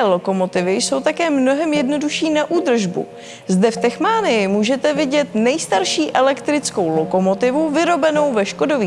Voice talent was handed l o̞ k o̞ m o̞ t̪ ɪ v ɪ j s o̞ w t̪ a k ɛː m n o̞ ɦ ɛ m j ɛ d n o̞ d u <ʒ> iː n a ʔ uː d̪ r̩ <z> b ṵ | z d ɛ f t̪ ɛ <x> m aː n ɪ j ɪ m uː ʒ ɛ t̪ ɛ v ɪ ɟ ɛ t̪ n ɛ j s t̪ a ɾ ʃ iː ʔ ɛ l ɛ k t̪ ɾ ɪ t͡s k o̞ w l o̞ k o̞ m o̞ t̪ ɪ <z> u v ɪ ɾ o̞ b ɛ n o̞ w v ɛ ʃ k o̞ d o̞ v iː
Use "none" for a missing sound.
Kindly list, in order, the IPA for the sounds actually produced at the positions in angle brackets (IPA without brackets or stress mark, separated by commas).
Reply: ʃ, ʒ, x, v